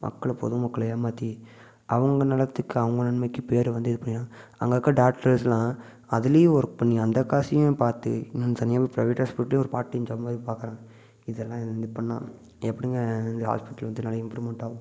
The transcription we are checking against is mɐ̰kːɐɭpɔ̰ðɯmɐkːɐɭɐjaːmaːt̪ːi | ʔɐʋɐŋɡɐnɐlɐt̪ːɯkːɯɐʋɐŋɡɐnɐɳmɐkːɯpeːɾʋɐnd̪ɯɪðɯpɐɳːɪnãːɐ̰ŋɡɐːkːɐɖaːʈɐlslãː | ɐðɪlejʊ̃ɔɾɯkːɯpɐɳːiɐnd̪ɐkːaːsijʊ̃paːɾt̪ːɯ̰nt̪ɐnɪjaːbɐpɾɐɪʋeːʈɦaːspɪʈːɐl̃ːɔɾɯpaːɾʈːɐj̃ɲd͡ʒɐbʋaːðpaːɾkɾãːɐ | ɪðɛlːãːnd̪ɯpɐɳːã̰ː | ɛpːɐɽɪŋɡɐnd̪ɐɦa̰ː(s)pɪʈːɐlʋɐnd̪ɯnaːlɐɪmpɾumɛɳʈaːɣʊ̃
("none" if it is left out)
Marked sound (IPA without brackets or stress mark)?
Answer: s